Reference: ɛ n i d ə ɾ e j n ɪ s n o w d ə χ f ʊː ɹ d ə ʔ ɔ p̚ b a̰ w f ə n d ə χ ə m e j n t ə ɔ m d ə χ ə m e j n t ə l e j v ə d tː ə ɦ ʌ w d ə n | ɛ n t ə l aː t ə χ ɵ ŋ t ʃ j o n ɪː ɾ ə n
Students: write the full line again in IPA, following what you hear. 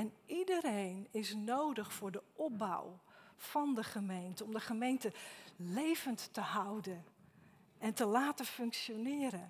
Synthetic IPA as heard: ɛ n i d ə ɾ e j n ɪ s n o w d ə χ f ʊː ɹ d ə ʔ ɔ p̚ b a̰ w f ɑ n d ə χ ə m e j n t ə ɔ m d ə χ ə m e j n t ə l e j v ə n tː ə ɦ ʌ w d ə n | ɛ n t ə l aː t ə f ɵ ŋ k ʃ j o n ɪː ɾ ə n